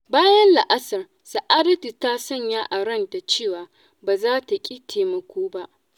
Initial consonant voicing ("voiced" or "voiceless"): voiced